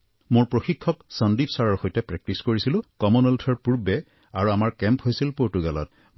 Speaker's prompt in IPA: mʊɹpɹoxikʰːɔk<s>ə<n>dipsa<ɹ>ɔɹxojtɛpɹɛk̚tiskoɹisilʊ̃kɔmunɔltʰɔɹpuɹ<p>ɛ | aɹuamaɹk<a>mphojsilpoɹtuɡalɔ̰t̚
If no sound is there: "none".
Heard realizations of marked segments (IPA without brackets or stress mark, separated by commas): s, n, ɹ, b, ɛ